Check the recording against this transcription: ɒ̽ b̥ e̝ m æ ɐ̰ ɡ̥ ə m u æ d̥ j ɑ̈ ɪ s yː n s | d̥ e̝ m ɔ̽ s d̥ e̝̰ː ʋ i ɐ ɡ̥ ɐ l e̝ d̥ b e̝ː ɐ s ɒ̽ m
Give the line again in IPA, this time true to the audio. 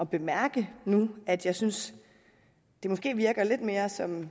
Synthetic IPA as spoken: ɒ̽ b̥ e̝ m æ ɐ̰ ɡ̥ ə n u æ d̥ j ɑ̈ ɪ s y n s | d̥ e̝ m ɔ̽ s ɡ̥ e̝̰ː ʋ i ɐ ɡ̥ ɐ l e̝ d̥ m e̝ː ɐ s ɒ̽ m